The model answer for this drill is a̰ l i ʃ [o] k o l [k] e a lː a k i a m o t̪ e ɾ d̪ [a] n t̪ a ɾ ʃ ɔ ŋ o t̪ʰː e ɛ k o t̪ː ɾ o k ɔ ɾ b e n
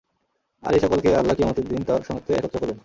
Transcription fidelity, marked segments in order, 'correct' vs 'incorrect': incorrect: ɔ, correct, incorrect: i

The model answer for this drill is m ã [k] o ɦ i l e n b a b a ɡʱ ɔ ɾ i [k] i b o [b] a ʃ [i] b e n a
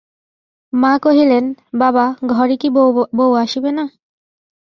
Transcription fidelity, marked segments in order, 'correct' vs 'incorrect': correct, correct, incorrect: w, correct

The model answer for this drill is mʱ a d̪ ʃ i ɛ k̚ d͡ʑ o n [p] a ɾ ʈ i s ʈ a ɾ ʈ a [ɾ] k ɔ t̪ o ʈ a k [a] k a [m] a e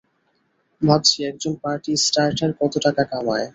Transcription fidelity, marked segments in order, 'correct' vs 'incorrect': correct, correct, correct, correct

